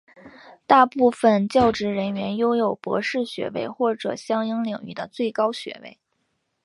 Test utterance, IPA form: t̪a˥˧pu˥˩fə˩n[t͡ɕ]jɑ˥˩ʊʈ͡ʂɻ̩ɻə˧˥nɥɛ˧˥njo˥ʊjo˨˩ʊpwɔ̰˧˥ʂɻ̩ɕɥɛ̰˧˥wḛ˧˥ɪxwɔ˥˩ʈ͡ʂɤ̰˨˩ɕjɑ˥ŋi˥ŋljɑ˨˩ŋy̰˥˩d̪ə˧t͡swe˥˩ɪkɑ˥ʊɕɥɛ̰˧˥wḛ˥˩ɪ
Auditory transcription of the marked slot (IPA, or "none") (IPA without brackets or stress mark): t͡ɕ